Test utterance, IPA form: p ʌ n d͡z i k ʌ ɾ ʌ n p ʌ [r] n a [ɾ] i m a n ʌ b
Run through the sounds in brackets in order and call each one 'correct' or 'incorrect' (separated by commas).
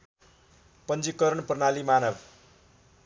correct, incorrect